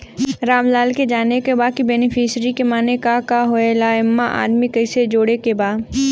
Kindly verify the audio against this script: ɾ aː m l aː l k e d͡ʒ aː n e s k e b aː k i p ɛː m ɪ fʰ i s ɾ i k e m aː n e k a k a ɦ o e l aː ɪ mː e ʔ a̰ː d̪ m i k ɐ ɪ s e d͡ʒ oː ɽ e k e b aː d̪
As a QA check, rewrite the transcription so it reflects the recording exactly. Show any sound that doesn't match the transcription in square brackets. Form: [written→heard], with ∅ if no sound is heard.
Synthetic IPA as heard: ɾ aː m l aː l k e d͡ʒ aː n e [s→∅] k e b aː k i [p→b] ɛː [m→n] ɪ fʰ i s ɾ i k e m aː n e k a k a ɦ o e l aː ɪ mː [e→a] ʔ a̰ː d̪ m i k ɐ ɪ s e d͡ʒ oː ɽ e k e b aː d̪